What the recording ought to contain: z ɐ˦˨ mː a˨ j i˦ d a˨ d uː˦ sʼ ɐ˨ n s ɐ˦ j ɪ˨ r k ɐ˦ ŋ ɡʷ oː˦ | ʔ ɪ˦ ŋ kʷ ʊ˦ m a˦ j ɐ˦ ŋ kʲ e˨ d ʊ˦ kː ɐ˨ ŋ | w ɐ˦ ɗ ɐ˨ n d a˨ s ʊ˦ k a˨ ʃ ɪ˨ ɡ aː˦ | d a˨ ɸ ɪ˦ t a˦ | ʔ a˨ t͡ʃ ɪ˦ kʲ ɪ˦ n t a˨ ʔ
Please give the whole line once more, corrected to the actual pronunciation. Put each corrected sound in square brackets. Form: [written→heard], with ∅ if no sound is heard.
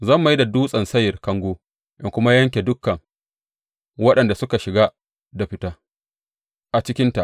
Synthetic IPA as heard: z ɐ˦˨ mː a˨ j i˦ d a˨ d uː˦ sʼ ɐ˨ n s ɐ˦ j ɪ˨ r k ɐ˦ ŋ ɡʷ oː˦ | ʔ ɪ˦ ŋ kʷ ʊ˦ m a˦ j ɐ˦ ŋ kʲ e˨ d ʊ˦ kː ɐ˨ ŋ | w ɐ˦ ɗ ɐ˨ n d a˨ s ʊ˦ k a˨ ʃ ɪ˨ ɡ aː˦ | d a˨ ɸ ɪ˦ t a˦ | ʔ a˨ t͡ʃ ɪ˦ kʲ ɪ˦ n t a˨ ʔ